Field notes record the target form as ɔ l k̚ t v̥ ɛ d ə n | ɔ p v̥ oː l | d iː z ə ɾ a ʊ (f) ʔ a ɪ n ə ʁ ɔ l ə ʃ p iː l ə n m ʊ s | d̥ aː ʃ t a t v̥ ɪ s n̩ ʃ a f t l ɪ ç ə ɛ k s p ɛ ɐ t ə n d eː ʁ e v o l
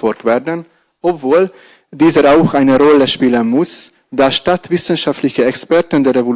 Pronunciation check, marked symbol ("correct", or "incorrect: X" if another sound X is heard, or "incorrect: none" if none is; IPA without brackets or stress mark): incorrect: x